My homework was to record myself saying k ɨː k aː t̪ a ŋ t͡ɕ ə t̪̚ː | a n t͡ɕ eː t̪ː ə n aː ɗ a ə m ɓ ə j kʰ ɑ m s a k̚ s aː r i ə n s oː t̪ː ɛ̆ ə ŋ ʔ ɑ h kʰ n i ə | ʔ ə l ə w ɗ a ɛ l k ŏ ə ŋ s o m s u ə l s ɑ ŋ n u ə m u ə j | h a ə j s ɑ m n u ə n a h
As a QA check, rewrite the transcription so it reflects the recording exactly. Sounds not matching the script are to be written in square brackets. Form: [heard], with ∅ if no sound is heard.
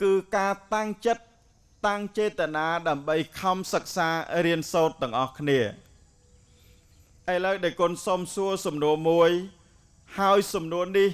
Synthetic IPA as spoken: k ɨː k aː t̪ a ŋ t͡ɕ ə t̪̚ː | a [ŋ] t͡ɕ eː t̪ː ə n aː ɗ a ə m ɓ ə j kʰ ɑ m s [ə] k̚ s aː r i ə n s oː t̪ː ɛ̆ ə ŋ ʔ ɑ h kʰ n i ə | ʔ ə l ə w ɗ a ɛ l k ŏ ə [n] s o m s u ə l s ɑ [m] n u ə m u ə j | h a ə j s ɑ m n u ə n [i] h